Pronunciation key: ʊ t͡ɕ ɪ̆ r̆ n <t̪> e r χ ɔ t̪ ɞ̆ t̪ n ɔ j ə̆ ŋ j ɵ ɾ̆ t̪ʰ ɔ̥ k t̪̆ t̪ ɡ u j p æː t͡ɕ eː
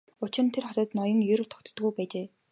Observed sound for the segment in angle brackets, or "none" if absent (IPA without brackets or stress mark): t̪ʰ